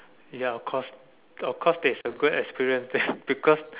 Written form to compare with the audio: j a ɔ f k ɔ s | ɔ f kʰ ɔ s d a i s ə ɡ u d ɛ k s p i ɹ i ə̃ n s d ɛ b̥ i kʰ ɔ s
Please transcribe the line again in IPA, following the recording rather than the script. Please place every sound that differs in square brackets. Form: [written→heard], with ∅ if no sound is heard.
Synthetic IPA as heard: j a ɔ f [k→kʰ] ɔ s | ɔ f kʰ ɔ s d [a→ɛ] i s ə ɡ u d ɛ k s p i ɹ i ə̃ n s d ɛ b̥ i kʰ ɔ s